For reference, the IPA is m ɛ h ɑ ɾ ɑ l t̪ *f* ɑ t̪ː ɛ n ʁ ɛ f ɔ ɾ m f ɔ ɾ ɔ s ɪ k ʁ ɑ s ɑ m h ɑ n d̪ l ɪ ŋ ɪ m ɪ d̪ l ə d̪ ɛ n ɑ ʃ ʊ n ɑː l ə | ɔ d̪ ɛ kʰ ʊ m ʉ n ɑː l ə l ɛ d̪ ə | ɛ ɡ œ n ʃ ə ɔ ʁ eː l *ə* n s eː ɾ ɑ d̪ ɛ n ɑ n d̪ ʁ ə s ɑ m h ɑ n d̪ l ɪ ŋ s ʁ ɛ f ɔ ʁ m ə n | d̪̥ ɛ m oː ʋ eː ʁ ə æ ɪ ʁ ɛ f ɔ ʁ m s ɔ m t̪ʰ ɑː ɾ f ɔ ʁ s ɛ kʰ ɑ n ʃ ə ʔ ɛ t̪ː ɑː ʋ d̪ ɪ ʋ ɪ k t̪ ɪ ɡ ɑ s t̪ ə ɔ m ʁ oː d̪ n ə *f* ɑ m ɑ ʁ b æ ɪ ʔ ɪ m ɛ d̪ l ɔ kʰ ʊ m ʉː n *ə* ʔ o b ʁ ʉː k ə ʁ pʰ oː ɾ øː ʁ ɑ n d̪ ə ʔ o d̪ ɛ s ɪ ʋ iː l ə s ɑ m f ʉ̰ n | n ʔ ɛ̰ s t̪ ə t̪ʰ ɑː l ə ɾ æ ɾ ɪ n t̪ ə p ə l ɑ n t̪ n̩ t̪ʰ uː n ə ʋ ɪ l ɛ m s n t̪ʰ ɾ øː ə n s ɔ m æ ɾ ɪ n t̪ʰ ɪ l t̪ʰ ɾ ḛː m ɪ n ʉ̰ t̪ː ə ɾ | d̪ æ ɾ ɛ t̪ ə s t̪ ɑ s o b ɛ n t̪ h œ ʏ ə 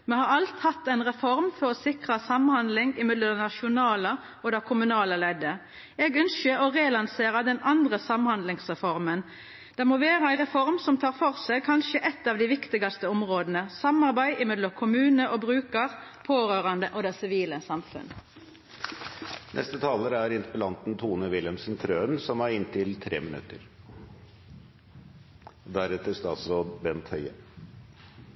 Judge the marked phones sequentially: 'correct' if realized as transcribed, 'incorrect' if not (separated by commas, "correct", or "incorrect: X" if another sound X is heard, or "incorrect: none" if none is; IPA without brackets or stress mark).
incorrect: h, incorrect: ɑ, incorrect: s, correct